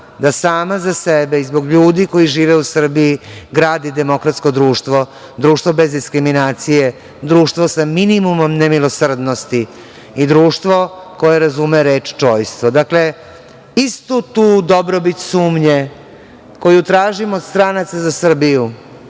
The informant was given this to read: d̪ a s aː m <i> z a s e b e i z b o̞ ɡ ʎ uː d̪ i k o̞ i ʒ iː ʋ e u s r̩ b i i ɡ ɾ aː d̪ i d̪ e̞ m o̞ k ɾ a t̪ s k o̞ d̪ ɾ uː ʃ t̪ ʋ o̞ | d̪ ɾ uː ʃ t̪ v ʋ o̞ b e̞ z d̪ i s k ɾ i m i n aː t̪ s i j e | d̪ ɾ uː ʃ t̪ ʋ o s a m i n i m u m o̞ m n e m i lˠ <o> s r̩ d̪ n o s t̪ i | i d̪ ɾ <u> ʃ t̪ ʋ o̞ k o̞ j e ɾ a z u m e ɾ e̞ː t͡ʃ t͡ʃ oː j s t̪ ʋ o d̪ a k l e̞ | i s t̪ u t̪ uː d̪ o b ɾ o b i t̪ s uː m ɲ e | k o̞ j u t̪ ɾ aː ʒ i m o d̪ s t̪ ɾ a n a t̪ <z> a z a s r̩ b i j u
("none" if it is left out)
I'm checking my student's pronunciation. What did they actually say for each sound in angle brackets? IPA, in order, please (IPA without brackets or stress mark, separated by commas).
a, o, uː, s